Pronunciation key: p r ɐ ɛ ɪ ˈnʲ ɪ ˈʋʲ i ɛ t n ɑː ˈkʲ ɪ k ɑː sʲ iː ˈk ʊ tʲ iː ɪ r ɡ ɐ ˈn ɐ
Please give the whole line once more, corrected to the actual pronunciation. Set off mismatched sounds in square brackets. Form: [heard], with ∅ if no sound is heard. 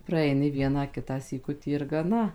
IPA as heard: p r ɐ ɛ ɪ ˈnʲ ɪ ˈʋʲ i ɛ [∅] n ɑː ˈkʲ ɪ [t] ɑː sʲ iː ˈk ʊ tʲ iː ɪ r ɡ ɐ ˈn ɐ